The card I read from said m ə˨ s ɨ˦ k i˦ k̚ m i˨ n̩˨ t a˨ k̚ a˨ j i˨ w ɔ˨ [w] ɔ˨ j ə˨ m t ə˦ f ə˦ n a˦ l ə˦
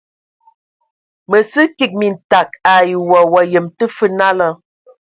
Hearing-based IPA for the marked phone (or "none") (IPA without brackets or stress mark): w